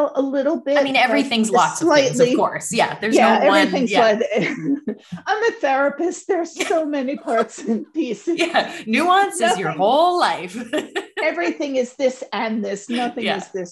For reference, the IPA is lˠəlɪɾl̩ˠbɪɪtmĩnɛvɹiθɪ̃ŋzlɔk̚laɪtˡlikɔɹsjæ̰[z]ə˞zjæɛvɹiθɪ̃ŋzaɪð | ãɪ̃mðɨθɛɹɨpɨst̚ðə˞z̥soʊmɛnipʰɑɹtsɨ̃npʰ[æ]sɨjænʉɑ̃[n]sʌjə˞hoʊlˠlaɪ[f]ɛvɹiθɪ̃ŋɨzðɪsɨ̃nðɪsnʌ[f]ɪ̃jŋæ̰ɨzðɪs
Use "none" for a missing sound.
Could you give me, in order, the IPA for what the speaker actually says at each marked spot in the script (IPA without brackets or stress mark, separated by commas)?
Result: ð, i, n, f, θ